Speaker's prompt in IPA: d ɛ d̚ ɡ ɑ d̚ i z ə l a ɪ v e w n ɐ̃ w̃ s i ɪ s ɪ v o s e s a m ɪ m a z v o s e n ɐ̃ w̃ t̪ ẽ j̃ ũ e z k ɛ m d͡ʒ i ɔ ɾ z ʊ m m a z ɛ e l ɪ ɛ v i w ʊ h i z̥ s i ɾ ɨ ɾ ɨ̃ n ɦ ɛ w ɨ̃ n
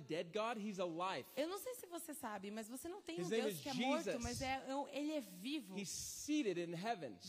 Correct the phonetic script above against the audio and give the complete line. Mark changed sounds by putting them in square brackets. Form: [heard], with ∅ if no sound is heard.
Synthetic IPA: d ɛ d̚ ɡ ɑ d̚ i z ə l a ɪ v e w n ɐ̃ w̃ s [e] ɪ s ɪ v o s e s a [b] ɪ m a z v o s e n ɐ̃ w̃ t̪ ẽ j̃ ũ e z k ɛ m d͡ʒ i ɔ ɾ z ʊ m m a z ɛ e l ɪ ɛ v i [v] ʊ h i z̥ s i ɾ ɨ ɾ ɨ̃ n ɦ ɛ [v] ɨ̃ n